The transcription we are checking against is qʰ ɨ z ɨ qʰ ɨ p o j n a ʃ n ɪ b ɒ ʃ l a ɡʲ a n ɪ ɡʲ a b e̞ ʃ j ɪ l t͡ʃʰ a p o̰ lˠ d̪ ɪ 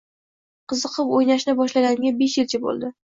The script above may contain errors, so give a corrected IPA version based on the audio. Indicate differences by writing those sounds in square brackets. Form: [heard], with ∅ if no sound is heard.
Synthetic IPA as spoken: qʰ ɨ z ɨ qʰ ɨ p o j n a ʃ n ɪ b ɒ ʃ l a ɡʲ a n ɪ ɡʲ a b e̞ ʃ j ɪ l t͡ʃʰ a [b] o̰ lˠ d̪ ɪ